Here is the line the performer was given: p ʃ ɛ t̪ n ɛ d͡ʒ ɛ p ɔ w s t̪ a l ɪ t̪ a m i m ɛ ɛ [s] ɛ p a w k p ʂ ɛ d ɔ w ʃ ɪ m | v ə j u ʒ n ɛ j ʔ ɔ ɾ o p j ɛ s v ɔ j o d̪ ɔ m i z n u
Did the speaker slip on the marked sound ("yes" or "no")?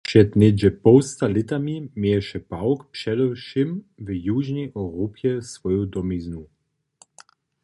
yes